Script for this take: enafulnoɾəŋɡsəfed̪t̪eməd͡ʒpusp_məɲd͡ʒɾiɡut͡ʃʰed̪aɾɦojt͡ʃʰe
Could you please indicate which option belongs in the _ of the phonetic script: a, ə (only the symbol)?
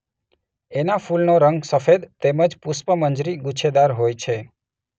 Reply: ə